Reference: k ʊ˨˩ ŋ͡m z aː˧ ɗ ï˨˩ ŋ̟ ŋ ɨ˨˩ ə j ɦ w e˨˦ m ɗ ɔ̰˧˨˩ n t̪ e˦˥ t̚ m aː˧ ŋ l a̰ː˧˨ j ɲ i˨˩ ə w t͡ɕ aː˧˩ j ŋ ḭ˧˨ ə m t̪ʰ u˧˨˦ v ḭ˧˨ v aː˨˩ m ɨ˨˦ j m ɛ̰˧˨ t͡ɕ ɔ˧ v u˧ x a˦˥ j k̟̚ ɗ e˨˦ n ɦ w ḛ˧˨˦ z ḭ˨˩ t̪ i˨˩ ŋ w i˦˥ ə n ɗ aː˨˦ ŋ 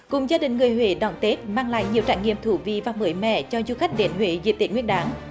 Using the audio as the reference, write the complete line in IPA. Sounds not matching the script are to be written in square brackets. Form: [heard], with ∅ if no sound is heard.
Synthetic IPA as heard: k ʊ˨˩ ŋ͡m z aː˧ ɗ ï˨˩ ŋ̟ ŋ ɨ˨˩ ə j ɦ w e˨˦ [∅] ɗ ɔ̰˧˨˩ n t̪ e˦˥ t̚ m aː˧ ŋ l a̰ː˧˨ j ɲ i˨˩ ə w t͡ɕ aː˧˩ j ŋ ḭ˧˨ ə m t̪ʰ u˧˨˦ v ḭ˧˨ v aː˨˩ m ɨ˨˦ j m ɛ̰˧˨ t͡ɕ ɔ˧ [z] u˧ x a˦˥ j k̟̚ ɗ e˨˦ n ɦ w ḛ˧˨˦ z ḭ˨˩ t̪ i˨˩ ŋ w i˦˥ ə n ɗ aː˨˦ ŋ